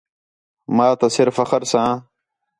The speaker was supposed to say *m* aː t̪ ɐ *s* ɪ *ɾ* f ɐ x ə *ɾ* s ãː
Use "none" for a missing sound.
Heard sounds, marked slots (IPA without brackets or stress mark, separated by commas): m, s, ɾ, ɾ